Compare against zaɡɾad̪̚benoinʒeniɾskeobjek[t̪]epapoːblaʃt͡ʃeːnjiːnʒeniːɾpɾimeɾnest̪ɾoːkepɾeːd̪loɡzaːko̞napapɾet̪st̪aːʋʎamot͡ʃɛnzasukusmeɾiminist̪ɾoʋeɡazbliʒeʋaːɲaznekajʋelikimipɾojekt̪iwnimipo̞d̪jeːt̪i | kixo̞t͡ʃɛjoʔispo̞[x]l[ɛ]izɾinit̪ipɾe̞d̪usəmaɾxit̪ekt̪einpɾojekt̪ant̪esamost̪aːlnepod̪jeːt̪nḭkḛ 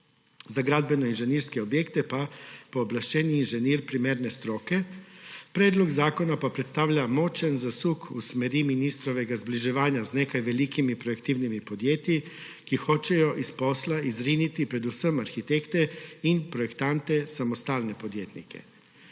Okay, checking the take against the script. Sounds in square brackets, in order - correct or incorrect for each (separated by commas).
correct, incorrect, incorrect